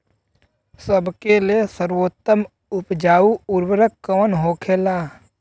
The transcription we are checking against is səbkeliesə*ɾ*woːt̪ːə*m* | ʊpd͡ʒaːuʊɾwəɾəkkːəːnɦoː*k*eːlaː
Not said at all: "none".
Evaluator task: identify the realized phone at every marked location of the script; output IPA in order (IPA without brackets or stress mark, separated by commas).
ɾ, m, kʰ